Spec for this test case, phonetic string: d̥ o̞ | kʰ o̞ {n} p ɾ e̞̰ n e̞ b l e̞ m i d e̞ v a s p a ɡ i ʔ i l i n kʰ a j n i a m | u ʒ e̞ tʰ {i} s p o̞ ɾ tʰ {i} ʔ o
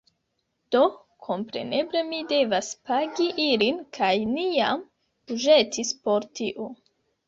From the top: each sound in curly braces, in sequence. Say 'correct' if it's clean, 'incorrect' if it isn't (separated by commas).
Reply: incorrect, correct, correct